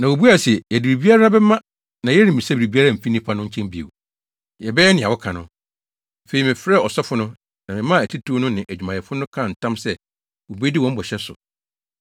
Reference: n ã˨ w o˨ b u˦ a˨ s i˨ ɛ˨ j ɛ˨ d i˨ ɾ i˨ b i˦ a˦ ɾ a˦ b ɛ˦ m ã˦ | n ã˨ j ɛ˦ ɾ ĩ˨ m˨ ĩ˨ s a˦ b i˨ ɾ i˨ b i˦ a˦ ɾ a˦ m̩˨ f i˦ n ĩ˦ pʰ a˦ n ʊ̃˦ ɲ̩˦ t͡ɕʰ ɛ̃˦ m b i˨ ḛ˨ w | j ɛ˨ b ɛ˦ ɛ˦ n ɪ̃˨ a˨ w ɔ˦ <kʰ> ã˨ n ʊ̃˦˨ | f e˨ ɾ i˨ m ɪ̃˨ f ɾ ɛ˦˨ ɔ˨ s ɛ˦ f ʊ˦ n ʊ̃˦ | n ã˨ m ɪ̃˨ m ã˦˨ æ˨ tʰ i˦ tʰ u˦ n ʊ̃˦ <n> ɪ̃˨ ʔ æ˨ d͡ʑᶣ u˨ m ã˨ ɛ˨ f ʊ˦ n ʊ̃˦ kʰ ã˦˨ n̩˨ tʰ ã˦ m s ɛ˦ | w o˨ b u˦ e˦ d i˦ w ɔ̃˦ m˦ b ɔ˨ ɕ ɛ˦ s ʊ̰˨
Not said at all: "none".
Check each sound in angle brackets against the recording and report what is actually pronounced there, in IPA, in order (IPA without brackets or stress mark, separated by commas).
kʰ, n